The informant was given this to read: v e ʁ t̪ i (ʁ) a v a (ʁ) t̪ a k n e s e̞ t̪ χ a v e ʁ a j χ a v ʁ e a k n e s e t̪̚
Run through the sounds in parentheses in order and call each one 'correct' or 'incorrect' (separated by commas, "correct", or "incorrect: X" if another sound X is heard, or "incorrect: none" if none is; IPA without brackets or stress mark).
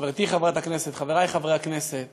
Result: incorrect: χ, incorrect: none